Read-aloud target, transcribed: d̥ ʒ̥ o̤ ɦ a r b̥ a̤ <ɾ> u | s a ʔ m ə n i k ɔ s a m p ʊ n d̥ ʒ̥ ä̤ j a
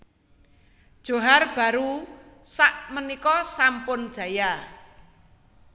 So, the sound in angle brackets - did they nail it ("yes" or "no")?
yes